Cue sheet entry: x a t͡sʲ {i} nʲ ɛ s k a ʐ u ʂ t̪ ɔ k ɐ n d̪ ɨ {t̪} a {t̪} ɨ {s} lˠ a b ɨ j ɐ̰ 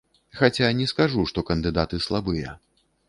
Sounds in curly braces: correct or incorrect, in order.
incorrect, incorrect, correct, correct

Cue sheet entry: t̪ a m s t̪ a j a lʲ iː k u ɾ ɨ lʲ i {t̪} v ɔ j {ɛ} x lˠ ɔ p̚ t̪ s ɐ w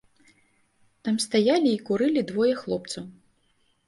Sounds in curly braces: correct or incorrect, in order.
incorrect, correct

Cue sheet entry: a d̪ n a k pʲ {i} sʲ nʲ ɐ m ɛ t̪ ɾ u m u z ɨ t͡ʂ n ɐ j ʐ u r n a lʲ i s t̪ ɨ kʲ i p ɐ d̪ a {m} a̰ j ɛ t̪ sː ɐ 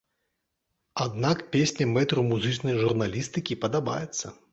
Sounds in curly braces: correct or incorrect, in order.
incorrect, incorrect

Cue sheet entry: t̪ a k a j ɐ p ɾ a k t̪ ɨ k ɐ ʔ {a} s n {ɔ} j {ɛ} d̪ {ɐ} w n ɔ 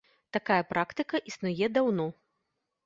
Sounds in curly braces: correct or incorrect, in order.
incorrect, incorrect, correct, incorrect

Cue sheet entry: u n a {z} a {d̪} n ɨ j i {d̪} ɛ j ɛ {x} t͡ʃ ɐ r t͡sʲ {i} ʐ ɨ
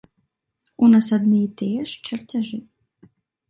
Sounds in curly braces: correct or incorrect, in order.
incorrect, correct, incorrect, incorrect, incorrect

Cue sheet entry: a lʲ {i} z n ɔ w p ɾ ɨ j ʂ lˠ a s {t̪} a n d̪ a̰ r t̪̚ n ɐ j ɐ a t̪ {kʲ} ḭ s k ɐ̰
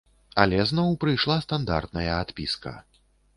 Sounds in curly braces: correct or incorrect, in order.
incorrect, correct, incorrect

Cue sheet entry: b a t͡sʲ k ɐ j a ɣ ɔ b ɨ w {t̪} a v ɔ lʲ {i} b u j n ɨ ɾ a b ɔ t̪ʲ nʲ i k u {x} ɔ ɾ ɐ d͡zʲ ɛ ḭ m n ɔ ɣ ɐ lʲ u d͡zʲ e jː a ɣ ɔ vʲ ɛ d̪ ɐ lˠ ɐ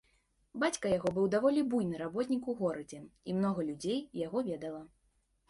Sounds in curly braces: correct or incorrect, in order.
incorrect, correct, incorrect

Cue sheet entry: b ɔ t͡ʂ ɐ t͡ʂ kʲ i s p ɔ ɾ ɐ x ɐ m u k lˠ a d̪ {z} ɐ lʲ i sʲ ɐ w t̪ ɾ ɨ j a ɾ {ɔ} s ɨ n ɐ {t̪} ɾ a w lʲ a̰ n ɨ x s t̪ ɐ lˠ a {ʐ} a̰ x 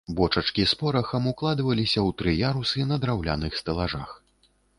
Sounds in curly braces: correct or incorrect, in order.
incorrect, incorrect, incorrect, correct

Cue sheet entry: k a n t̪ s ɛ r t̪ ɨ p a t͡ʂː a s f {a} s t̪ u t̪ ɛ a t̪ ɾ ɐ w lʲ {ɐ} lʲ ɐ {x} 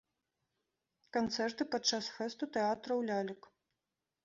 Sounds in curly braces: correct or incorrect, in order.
incorrect, incorrect, incorrect

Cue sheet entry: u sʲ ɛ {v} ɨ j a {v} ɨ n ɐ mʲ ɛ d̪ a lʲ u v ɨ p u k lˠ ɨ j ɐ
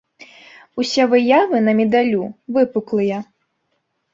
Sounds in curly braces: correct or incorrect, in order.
correct, correct

